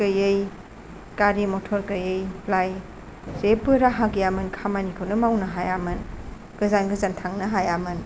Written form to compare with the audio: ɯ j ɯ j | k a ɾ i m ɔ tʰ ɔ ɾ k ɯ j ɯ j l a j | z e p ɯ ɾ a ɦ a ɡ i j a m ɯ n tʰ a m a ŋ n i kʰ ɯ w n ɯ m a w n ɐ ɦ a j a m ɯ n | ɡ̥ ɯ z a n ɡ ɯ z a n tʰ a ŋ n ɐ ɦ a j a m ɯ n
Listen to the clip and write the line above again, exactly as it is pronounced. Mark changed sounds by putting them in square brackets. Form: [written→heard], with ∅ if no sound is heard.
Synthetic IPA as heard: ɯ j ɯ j | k a ɾ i m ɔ tʰ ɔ ɾ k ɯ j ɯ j l a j | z e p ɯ ɾ a ɦ a ɡ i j a m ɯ n [tʰ→kʰ] a m a [ŋ→∅] n i kʰ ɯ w n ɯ m a w n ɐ ɦ a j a m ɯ n | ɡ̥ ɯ z a n ɡ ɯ z a n tʰ a ŋ n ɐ ɦ a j a m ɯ n